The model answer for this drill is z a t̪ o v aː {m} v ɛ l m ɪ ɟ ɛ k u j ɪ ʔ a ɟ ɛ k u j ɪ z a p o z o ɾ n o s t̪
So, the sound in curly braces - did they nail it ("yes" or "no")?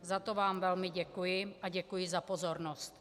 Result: yes